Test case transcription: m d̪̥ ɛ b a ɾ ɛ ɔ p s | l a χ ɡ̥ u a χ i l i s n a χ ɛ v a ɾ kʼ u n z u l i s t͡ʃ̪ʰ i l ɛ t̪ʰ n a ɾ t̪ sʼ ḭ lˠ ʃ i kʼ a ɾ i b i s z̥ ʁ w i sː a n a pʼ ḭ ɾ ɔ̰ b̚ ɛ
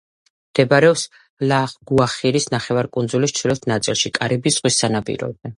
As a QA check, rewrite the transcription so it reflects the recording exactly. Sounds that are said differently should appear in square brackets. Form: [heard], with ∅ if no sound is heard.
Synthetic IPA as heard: m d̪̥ ɛ b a ɾ ɛ ɔ p s | l a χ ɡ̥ u a χ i [ɾ] i s n a χ ɛ v a ɾ kʼ u n z u l i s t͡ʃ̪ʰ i l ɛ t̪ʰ n a [∅] t̪ sʼ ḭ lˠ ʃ i kʼ a ɾ i b i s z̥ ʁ w i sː a n a pʼ ḭ ɾ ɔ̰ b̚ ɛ